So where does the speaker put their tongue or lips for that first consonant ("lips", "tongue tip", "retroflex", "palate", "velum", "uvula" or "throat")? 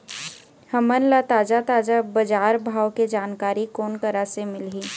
throat